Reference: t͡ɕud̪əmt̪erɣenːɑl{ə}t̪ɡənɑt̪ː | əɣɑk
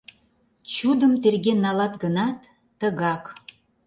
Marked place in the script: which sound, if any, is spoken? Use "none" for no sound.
ɑ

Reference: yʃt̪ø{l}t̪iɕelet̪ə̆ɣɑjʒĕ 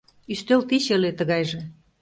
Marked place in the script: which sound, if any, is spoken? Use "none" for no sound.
l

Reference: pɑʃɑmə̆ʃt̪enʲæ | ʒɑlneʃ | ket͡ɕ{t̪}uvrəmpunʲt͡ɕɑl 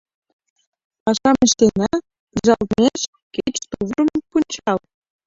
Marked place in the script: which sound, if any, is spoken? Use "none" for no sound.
t̪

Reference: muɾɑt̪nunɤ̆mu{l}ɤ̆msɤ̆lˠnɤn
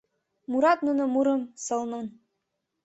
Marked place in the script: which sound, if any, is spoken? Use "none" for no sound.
ɾ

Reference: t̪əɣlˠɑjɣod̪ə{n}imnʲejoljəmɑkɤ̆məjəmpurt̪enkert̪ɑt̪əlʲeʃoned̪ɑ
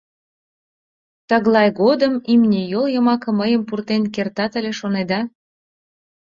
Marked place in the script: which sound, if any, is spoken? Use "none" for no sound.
m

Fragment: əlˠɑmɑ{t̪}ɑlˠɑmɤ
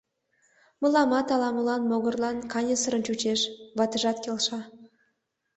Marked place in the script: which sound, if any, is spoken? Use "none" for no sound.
t̪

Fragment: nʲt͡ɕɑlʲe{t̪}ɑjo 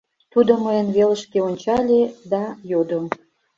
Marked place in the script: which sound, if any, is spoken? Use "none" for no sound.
d̪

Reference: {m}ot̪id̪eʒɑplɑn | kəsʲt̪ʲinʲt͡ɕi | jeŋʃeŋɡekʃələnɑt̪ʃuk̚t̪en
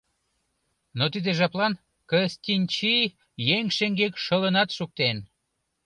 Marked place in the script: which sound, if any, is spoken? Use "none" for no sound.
n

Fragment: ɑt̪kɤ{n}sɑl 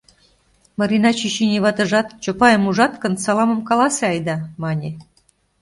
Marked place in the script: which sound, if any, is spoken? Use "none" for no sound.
n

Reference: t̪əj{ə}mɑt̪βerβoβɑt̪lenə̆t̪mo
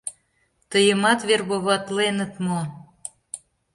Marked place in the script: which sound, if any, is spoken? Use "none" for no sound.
ə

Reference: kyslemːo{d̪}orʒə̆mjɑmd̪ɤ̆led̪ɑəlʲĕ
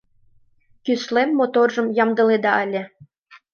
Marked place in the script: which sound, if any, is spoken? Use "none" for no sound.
t̪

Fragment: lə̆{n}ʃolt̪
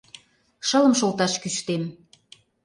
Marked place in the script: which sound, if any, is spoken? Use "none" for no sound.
m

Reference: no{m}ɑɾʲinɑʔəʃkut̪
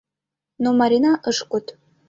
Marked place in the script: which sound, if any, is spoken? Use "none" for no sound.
m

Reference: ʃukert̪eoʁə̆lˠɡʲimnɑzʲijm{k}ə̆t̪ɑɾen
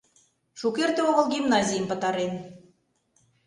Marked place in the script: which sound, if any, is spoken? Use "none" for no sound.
p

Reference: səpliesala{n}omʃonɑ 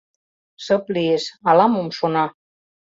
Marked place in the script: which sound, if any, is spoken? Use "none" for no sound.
m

